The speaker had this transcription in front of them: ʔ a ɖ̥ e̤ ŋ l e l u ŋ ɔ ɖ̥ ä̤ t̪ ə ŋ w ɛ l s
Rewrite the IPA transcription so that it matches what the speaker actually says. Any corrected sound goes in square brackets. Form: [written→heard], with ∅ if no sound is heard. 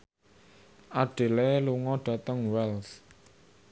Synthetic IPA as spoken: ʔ a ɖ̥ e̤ [ŋ→∅] l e l u ŋ ɔ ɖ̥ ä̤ t̪ ə ŋ w ɛ l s

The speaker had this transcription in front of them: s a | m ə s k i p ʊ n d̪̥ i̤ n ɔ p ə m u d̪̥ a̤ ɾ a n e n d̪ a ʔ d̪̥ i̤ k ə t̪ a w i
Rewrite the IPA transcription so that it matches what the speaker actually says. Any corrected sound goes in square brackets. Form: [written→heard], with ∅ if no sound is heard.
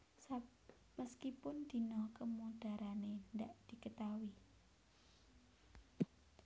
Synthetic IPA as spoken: s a | m ə s k i p ʊ n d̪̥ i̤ n ɔ [p→k] ə m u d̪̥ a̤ ɾ a n e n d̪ a ʔ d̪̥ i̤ k ə t̪ a w i

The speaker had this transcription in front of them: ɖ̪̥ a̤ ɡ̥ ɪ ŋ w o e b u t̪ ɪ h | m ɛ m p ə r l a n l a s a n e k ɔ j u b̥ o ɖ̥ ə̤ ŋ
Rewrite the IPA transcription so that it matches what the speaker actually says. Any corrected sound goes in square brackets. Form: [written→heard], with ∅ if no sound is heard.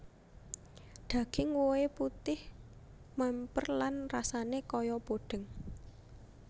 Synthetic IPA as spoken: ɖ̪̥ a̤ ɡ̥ ɪ ŋ w o e [b→p] u t̪ ɪ h | m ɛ m p ə r l a n [l→r] a s a n e k ɔ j [u→ɔ] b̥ o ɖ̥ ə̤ ŋ

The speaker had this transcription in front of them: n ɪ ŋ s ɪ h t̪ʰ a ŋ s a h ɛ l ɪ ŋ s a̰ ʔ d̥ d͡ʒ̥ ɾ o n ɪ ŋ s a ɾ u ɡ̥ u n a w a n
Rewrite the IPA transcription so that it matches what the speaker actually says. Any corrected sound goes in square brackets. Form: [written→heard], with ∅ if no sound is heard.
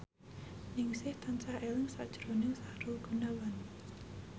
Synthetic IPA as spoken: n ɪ ŋ s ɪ h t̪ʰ a [ŋ→n] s a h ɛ l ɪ ŋ s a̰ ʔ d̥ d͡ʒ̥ ɾ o n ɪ ŋ s a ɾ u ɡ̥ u n a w a n

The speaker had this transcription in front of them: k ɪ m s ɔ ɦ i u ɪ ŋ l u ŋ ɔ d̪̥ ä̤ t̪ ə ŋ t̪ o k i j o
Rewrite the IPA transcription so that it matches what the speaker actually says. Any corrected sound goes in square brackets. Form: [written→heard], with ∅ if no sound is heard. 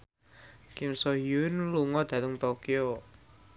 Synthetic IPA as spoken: k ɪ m s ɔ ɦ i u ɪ [ŋ→n] l u ŋ ɔ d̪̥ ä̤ t̪ ə ŋ t̪ o k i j o

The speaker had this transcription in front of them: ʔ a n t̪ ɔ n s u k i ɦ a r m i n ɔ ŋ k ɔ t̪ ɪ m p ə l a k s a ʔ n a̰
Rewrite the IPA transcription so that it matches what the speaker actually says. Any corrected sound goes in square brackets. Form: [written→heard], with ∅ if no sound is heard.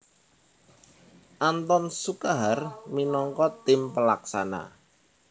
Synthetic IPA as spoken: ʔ a n t̪ ɔ n s u k [i→a] ɦ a r m i n ɔ ŋ k ɔ t̪ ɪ m p ə l a k s a [ʔ→∅] n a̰

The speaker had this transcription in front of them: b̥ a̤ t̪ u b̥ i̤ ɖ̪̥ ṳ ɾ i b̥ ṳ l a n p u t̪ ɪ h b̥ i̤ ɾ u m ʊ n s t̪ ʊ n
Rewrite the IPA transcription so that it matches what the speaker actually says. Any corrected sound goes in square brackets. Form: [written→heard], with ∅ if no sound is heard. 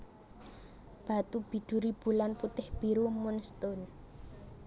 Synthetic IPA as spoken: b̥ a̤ t̪ u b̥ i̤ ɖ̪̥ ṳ ɾ i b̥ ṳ l a n p u t̪ ɪ h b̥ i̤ ɾ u m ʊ n s t̪ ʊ n

